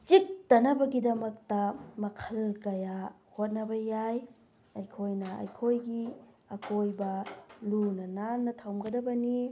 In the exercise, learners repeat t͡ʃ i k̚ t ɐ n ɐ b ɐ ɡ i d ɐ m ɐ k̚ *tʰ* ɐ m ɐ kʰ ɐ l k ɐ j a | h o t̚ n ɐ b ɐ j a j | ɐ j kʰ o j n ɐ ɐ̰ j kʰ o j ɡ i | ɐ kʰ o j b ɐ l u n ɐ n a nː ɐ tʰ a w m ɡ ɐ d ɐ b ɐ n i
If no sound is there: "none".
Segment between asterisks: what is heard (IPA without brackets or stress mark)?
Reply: t